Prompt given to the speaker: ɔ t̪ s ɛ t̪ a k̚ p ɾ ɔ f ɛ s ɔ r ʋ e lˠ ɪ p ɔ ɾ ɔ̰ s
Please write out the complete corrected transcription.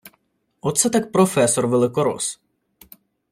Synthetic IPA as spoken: ɔ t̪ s ɛ t̪ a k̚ p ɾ ɔ f ɛ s ɔ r ʋ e lˠ ɪ k ɔ ɾ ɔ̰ s